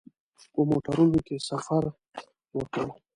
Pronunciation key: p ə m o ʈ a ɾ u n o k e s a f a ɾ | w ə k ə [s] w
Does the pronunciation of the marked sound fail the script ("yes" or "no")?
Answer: yes